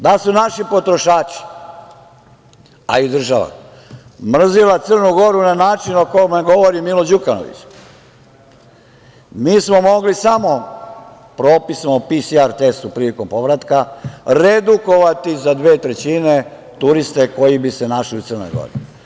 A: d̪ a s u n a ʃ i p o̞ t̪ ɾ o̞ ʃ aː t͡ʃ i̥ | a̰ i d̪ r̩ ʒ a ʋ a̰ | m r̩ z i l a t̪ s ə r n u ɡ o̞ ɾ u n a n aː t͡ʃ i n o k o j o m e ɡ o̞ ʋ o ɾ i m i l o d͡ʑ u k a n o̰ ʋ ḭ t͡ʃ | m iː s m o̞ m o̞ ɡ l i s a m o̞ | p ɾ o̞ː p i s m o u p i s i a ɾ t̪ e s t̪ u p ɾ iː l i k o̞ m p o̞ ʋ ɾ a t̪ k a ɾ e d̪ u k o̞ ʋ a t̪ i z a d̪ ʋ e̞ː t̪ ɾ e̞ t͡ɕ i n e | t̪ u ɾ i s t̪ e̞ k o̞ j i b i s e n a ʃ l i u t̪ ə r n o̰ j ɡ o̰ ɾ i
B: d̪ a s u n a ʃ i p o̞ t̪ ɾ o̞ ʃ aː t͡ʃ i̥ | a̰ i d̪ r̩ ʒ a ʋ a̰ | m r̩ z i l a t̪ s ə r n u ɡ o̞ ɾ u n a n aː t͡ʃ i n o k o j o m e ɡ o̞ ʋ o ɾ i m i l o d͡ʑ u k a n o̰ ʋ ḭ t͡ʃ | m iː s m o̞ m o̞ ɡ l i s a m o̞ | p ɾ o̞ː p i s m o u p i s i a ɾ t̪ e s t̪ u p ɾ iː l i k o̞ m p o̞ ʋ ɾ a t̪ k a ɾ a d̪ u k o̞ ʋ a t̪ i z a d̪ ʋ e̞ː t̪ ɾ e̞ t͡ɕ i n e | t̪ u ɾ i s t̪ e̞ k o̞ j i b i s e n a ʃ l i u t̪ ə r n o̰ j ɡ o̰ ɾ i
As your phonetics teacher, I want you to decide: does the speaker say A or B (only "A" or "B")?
A